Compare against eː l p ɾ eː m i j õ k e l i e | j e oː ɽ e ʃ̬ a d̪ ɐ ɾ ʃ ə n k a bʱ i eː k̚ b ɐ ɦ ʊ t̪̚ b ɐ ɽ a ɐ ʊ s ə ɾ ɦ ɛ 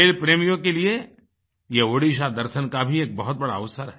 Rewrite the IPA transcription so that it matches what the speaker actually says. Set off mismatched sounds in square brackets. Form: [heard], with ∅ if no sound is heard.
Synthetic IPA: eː l p ɾ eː m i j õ k e l i e | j e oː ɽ [i] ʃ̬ a d̪ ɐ ɾ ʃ ə n k a bʱ i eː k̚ b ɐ ɦ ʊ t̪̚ b ɐ ɽ a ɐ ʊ s ə ɾ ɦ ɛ